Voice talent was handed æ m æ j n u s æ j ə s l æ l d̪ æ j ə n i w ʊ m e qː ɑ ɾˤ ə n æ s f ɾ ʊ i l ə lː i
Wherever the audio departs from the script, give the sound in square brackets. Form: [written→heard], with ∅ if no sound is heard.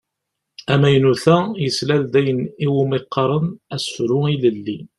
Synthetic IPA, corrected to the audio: æ m æ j n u [s→θ] æ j ə s l æ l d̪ æ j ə n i w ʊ m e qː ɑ ɾˤ ə n æ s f ɾ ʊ i l ə lː i